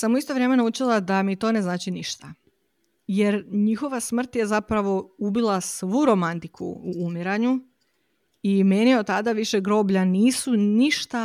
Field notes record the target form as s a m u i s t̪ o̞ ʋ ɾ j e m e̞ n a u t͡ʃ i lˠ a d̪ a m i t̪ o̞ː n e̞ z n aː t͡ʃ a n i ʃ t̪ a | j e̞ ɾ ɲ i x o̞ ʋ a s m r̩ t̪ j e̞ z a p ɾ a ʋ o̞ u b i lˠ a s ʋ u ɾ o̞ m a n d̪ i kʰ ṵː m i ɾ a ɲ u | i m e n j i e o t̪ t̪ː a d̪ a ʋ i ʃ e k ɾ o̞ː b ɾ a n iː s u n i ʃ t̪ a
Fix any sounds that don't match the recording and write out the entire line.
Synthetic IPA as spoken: s a m u i s t̪ o̞ ʋ ɾ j e m e̞ n a u t͡ʃ i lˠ a d̪ a m i t̪ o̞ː n e̞ z n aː t͡ʃ i n i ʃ t̪ a | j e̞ ɾ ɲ i x o̞ ʋ a s m r̩ t̪ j e̞ z a p ɾ a ʋ o̞ u b i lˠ a s ʋ u ɾ o̞ m a n t̪ i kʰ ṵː m i ɾ a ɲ u | i m e n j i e o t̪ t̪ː a d̪ a ʋ i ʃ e ɡ ɾ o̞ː b ʎ a n iː s u n i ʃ t̪ a